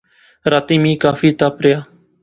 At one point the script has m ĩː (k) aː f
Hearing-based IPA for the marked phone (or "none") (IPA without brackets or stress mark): k